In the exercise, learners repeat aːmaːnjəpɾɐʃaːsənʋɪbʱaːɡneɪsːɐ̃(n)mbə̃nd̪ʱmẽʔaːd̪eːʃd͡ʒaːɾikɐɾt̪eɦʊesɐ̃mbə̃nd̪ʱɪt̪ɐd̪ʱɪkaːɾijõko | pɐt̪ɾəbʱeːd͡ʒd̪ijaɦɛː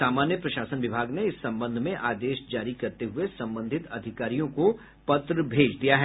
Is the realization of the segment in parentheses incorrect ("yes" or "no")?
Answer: yes